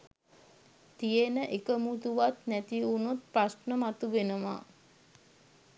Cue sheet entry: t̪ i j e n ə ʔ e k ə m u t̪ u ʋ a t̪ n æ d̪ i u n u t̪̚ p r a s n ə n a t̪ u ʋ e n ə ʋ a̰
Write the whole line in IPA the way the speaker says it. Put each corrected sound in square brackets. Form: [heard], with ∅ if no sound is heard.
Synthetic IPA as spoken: t̪ i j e n ə ʔ e k ə m u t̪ u ʋ a t̪ n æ [t̪] i u n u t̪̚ p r a s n ə [m] a t̪ u ʋ e n ə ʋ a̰